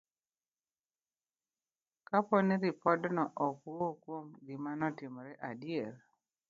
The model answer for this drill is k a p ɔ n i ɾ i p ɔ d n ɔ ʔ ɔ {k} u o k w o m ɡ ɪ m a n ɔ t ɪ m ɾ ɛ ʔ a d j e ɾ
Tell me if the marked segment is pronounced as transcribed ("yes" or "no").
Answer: yes